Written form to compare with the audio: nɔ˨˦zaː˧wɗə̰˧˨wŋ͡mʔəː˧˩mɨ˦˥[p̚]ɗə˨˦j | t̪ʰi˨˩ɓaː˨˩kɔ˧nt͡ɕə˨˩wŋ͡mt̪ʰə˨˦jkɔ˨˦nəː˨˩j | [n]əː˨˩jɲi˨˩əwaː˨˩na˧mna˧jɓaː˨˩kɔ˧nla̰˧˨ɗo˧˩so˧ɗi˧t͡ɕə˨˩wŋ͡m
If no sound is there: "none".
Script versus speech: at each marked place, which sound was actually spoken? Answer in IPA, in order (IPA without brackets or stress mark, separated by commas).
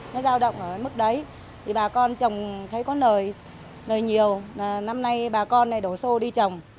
k̚, n